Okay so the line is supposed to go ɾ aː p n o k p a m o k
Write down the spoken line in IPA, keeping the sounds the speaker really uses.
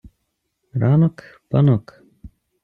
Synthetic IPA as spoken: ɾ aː n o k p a n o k